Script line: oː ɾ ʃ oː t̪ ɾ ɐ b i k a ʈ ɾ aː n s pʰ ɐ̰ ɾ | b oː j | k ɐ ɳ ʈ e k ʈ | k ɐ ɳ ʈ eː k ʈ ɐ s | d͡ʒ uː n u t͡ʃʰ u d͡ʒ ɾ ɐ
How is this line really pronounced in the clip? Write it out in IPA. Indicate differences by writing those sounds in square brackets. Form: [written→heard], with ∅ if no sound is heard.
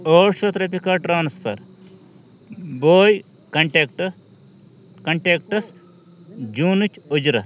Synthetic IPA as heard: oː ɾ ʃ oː t̪ ɾ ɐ [b→p] i k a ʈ ɾ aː n s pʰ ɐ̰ ɾ | b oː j | k ɐ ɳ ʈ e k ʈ | k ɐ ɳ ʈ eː k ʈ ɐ s | d͡ʒ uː n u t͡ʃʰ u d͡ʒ ɾ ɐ